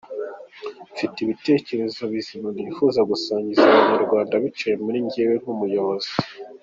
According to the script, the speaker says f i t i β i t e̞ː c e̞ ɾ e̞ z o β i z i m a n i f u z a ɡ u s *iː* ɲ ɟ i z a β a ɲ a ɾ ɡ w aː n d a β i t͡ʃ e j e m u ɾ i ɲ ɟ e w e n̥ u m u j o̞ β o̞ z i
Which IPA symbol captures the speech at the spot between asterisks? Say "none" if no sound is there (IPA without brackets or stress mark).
aː